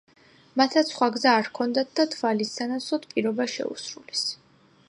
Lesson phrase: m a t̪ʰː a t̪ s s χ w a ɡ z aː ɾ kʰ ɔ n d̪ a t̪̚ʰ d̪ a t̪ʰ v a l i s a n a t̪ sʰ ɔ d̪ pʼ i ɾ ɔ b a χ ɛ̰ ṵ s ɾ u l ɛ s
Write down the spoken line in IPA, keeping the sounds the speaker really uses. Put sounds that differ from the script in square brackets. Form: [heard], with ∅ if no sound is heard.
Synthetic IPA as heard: m a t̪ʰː a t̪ s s χ w a ɡ z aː ɾ kʰ ɔ n d̪ a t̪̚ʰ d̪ a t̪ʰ v a l i s a n a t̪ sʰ ɔ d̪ pʼ i ɾ ɔ b a [ʃ] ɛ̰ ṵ s ɾ u l ɛ s

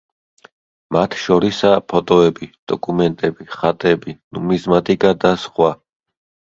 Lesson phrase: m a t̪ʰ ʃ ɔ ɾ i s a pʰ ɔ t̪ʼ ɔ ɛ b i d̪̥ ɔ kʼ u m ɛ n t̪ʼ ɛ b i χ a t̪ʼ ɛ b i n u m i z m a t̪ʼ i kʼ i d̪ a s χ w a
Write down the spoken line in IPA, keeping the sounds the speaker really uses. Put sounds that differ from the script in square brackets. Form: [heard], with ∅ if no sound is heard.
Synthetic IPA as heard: m a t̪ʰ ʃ ɔ ɾ i s a pʰ ɔ t̪ʼ ɔ ɛ b i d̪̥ ɔ kʼ u m ɛ n t̪ʼ ɛ b i χ a t̪ʼ ɛ b i n u m i z m a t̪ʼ i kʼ [a] d̪ a s χ w a

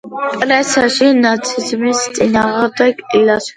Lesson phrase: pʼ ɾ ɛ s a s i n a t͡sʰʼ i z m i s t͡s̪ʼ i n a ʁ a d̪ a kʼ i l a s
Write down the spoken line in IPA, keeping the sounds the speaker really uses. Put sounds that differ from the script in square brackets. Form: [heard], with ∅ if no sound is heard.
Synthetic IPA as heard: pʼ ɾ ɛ s a [ʃ] i n a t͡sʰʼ i z m i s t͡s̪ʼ i n a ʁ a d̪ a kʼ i l a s

